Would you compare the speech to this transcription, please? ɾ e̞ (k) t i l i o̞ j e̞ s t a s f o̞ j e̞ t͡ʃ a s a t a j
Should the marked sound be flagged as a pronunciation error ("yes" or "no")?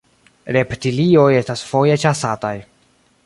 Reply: yes